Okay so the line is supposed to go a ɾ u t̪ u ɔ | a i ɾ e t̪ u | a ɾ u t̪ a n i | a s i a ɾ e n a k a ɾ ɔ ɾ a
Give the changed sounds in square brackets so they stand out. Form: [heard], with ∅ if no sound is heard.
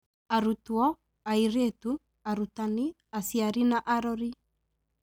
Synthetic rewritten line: a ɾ u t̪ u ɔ | a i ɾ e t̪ u | a ɾ u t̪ a n i | a s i a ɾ [i] n a [ʔ] a ɾ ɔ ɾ [i]

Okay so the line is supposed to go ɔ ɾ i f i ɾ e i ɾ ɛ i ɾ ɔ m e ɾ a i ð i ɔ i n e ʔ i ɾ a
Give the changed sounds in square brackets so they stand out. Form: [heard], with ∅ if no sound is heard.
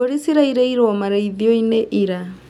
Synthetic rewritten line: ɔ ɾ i [s] i ɾ [a] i ɾ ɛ i ɾ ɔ m [a] ɾ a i ð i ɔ i n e ʔ i ɾ a

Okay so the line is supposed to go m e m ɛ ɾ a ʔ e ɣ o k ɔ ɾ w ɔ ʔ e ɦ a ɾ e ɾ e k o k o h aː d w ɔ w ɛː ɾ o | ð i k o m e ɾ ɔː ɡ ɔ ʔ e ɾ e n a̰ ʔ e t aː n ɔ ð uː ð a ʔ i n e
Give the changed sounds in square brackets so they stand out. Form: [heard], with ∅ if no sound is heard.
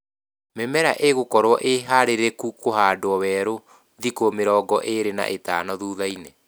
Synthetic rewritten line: m e m ɛ ɾ a ʔ e ɣ o k ɔ ɾ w ɔ ʔ e ɦ a ɾ e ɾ e k [u] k o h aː d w ɔ w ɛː ɾ o | ð i k o m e ɾ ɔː ɡ ɔ ʔ e ɾ e n a̰ ʔ e t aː n ɔ ð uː ð a [∅] i n e

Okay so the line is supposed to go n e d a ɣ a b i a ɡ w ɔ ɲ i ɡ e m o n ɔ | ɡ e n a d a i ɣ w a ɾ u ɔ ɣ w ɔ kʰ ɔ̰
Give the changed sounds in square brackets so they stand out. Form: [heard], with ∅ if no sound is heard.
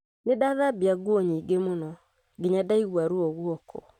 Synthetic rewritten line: n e d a [ð] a b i a ɡ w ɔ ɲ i ɡ e m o n ɔ | ɡ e [ɲ] a d a i ɣ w a ɾ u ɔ ɣ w ɔ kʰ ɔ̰

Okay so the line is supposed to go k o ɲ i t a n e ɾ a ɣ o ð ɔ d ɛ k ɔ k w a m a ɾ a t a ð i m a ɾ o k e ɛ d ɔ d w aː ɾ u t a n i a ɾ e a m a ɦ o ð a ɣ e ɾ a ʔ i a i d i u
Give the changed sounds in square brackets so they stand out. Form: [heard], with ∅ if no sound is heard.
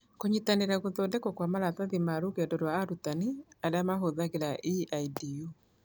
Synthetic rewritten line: k o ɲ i t a n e ɾ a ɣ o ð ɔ d ɛ k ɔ k w a m a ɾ a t a ð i m a ɾ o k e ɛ d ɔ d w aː ɾ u t a n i a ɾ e a m a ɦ o ð a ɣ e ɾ a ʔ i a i d i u

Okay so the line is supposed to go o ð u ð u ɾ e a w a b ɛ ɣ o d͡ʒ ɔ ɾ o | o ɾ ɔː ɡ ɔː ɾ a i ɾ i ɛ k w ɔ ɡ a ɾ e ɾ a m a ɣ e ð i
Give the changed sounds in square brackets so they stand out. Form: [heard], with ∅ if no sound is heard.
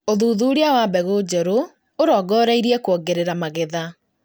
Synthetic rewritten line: o ð u ð u ɾ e a w a b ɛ ɣ o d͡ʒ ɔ ɾ o | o ɾ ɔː ɡ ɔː ɾ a i ɾ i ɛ k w ɔ ɡ [e] ɾ e ɾ a m a ɣ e ð [a]

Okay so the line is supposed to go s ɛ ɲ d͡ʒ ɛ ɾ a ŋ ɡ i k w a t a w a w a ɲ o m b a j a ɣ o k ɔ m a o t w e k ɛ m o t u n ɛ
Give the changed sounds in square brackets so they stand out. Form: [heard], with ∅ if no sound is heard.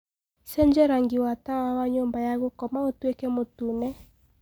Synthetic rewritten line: s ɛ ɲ d͡ʒ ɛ ɾ a ŋ ɡ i [∅] w a t a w a w a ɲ o m b a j a ɣ o k ɔ m a o t w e k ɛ m o t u n ɛ

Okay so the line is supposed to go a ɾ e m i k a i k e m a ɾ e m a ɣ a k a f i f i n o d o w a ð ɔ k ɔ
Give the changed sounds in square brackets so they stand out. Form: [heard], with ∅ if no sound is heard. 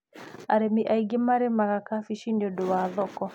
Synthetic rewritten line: a ɾ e m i [ʔ] a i [ɡ] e m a ɾ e m a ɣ a k a f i [ʃ] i n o d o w a ð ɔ k ɔ

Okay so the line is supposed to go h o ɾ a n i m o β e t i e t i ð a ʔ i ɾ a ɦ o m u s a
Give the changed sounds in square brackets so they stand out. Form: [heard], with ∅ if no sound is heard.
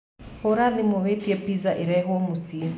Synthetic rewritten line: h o ɾ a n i m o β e t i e [p] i [z] a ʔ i ɾ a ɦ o m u s [i]

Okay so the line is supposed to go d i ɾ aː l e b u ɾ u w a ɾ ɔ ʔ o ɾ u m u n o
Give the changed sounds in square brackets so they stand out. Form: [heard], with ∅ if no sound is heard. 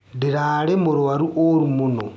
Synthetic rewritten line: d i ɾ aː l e [m] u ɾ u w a ɾ [u] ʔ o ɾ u m u n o

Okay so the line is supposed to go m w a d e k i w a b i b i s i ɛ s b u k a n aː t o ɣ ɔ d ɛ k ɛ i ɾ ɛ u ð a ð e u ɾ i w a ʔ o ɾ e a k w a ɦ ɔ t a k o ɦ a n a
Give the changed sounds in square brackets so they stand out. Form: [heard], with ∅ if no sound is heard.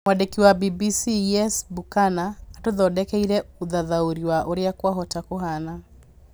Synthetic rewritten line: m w a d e k i w a b i b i s i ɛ s b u k a n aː t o [ð] ɔ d ɛ k ɛ i ɾ ɛ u ð a ð [a] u ɾ i w a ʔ o ɾ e a k w a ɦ ɔ t a k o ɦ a n a

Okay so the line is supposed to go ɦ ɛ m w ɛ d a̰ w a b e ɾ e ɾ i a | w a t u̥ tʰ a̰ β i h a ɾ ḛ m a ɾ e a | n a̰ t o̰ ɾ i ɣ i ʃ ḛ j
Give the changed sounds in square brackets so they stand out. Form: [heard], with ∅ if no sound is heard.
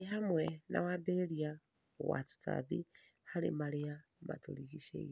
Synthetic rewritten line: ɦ [a] m w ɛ [n] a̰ w a b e ɾ e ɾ i a | w a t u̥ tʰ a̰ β i h a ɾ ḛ m a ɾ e a | [m] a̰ t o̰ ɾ i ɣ i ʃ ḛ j

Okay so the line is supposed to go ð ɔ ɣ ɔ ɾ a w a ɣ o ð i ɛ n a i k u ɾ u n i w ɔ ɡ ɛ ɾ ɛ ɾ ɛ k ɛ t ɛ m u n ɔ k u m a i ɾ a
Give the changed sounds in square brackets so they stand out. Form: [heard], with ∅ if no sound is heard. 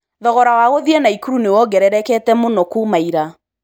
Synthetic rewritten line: ð ɔ ɣ ɔ ɾ a w a ɣ o ð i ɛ n a i k u ɾ u n [e] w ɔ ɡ ɛ ɾ ɛ ɾ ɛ k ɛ t ɛ m [o] n ɔ k u m a i ɾ a

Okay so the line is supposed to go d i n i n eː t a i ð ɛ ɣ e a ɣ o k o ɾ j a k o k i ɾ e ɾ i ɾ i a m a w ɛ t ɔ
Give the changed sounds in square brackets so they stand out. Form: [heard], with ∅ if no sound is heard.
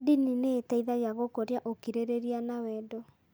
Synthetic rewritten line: d i n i n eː t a i ð [a] ɣ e a ɣ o k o ɾ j a [ʔ] o k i ɾ e ɾ [e] ɾ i a [n] a w ɛ [d] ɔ

